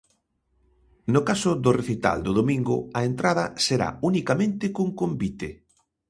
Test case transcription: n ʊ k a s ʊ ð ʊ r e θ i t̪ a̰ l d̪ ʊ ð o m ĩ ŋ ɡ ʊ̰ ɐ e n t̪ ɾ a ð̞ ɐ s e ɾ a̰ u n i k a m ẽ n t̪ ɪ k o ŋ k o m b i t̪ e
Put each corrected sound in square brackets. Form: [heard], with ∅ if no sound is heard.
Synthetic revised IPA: n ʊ k a s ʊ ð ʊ r e θ i t̪ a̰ l d̪ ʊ ð o m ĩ ŋ ɡ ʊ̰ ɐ e n t̪ ɾ a ð̞ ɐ s e ɾ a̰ u n i k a m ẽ n t̪ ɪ k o ŋ k o m b i t̪ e